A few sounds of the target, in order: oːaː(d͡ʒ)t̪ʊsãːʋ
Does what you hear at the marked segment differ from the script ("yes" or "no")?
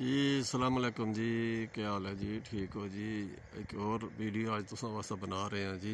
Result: no